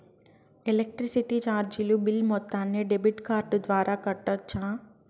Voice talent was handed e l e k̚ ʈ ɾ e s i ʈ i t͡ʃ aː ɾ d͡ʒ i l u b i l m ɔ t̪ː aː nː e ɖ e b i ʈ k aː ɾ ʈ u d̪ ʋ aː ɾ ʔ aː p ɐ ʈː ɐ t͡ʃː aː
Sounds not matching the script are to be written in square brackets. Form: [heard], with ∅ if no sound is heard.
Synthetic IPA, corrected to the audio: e l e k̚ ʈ ɾ [i] s i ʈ i t͡ʃ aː ɾ d͡ʒ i l u b i l m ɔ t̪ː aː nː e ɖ e b i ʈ k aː ɾ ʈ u d̪ ʋ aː ɾ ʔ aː [k] ɐ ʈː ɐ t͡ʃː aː

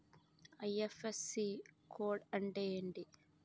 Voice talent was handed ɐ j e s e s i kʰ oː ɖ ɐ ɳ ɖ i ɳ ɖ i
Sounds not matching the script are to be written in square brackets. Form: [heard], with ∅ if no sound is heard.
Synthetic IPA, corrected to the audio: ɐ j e [f] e s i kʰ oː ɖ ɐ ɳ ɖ [e] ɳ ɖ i

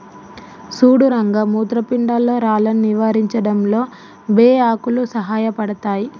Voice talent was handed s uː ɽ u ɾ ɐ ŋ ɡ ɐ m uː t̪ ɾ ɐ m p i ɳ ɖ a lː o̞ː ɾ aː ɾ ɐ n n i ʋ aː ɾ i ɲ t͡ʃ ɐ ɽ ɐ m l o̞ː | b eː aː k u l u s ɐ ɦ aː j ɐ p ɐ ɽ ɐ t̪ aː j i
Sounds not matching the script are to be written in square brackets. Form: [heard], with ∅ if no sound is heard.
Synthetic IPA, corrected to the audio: s uː ɽ u ɾ ɐ ŋ ɡ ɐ m uː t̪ ɾ ɐ [∅] p i ɳ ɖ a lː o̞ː ɾ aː [l] ɐ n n i ʋ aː ɾ i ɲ t͡ʃ ɐ ɽ ɐ m l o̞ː | b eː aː k u l u s ɐ ɦ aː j ɐ p ɐ ɽ ɐ t̪ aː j i

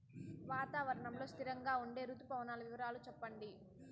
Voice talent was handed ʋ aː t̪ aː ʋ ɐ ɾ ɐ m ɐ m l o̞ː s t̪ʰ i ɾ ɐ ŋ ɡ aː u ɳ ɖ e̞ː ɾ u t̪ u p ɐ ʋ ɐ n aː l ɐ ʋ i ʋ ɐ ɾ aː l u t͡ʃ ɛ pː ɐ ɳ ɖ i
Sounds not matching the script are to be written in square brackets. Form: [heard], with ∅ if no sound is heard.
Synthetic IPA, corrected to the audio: ʋ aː t̪ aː ʋ ɐ ɾ ɐ [ɳ] ɐ m l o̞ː s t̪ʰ i ɾ ɐ ŋ ɡ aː u ɳ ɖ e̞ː ɾ u t̪ u p ɐ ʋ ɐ n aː l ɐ ʋ i ʋ ɐ ɾ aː l u t͡ʃ ɛ pː ɐ ɳ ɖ i

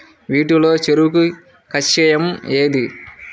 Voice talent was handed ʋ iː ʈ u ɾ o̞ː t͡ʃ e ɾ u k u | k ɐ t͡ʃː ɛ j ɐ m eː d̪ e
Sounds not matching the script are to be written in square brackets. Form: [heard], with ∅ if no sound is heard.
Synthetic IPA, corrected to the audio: ʋ iː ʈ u [l] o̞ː t͡ʃ e ɾ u k u | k ɐ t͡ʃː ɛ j ɐ m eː d̪ [i]

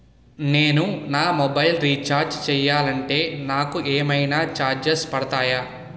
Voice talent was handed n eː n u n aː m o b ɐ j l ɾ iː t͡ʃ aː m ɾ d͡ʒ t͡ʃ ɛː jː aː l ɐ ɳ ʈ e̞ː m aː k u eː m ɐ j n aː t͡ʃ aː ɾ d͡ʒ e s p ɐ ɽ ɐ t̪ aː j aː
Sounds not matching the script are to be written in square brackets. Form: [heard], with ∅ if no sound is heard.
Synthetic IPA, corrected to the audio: n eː n u n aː m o b ɐ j l ɾ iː t͡ʃ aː [∅] ɾ d͡ʒ t͡ʃ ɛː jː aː l ɐ ɳ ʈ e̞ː [n] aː k u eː m ɐ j n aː t͡ʃ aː ɾ d͡ʒ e s p ɐ ɽ ɐ t̪ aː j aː

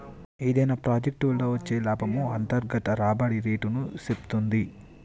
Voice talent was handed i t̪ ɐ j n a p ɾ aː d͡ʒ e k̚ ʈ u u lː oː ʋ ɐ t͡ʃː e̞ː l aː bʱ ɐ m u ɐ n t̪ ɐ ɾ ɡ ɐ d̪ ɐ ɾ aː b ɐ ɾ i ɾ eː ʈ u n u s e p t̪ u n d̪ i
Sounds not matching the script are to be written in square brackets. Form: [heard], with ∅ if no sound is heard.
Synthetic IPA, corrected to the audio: i [d̪] ɐ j n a p ɾ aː d͡ʒ e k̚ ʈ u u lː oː ʋ ɐ t͡ʃː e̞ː l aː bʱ ɐ m u ɐ n t̪ ɐ ɾ ɡ ɐ [t̪] ɐ ɾ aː b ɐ [ɽ] i ɾ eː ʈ u n u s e p t̪ u n d̪ i

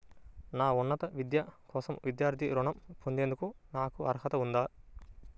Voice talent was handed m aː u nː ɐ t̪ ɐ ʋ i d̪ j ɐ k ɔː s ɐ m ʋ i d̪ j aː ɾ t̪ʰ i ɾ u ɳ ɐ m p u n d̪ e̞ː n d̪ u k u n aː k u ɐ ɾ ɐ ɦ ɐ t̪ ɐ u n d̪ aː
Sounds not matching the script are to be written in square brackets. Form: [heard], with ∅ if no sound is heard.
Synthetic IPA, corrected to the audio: [n] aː u nː ɐ t̪ ɐ ʋ i d̪ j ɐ k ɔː s ɐ m ʋ i d̪ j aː ɾ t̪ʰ i ɾ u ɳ ɐ m p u n d̪ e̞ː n d̪ u k u n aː k u ɐ ɾ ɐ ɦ ɐ t̪ ɐ u n d̪ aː

